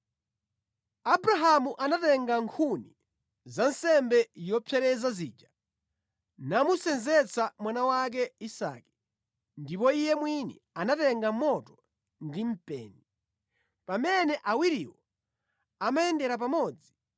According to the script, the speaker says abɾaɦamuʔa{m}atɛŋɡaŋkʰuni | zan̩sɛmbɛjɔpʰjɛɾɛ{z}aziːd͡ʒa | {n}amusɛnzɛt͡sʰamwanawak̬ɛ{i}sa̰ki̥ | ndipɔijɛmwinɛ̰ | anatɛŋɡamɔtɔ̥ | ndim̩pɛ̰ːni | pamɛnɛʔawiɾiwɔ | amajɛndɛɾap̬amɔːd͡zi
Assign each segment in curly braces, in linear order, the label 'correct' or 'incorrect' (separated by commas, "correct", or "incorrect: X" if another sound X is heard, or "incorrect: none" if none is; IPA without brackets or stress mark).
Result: incorrect: n, correct, correct, correct